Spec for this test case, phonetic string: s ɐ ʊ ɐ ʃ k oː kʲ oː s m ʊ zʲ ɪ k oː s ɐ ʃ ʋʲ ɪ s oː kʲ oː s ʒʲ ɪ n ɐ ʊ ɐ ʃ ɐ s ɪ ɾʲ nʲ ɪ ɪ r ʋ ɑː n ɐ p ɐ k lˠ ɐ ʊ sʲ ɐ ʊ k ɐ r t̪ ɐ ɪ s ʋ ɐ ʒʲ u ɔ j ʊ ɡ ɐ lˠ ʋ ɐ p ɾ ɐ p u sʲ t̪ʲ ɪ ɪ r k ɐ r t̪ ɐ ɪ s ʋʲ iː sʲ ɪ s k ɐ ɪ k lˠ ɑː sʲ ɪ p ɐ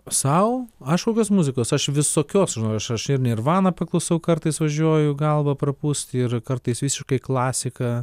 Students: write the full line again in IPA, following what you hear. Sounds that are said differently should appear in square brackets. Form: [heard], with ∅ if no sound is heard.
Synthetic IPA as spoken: s ɐ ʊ ɐ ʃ k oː kʲ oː s m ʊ zʲ ɪ k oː s ɐ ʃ ʋʲ ɪ s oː kʲ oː s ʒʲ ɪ n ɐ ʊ ɐ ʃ ɐ [ʃ] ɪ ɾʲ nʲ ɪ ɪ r ʋ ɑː n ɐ p ɐ k lˠ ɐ ʊ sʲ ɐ ʊ k ɐ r t̪ ɐ ɪ s ʋ ɐ ʒʲ u ɔ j ʊ ɡ ɐ lˠ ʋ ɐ p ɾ ɐ p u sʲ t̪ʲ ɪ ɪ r k ɐ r t̪ ɐ ɪ s ʋʲ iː sʲ ɪ [ʃ] k ɐ ɪ k lˠ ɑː sʲ ɪ [k] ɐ

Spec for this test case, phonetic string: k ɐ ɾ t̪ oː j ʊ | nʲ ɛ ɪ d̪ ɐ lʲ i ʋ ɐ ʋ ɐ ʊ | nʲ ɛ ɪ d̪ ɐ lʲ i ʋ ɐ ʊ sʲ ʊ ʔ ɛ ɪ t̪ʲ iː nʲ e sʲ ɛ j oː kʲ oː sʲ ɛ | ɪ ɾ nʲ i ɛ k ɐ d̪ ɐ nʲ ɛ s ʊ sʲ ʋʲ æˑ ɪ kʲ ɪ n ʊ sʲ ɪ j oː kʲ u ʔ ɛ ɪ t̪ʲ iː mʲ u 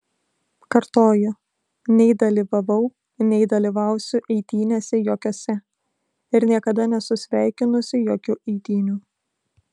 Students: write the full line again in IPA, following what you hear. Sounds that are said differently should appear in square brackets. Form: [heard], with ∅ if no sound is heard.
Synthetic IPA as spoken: k ɐ ɾ t̪ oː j ʊ | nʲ ɛ ɪ d̪ ɐ lʲ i ʋ ɐ ʋ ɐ ʊ | nʲ ɛ ɪ d̪ ɐ lʲ i ʋ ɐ ʊ sʲ ʊ ʔ ɛ ɪ t̪ʲ iː nʲ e sʲ ɛ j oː kʲ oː sʲ ɛ | ɪ ɾ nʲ i ɛ k ɐ d̪ ɐ nʲ ɛ s ʊ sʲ ʋʲ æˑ ɪ kʲ ɪ n ʊ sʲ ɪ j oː kʲ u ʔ ɛ ɪ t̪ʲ iː [nʲ] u

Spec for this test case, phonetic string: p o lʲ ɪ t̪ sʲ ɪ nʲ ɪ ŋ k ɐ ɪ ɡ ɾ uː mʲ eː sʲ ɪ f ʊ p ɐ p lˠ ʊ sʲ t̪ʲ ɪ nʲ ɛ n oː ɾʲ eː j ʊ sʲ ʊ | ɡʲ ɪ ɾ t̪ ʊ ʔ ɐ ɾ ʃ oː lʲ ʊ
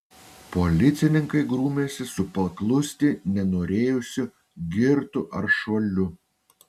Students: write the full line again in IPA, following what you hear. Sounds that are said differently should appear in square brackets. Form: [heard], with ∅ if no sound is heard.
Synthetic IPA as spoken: p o lʲ ɪ t̪ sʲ ɪ nʲ ɪ ŋ k ɐ ɪ ɡ ɾ uː mʲ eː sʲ ɪ [s] ʊ p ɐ [k] lˠ ʊ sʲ t̪ʲ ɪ nʲ ɛ n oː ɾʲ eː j ʊ sʲ ʊ | ɡʲ ɪ ɾ t̪ ʊ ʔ ɐ ɾ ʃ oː lʲ ʊ

